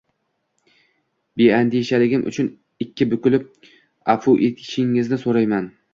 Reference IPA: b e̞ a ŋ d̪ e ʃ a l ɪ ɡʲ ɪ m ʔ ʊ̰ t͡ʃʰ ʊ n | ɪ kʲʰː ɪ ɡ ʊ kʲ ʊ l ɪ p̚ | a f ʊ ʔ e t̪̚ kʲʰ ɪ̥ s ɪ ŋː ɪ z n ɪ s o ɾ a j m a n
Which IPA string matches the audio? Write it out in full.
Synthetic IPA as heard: b e̞ a n d̪ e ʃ a l ɪ ɡʲ ɪ m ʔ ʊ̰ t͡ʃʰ ʊ n | ɪ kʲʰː ɪ b ʊ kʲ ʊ l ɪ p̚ | a f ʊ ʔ e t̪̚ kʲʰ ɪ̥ ʃ ɪ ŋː ɪ z n ɪ s o ɾ a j m a n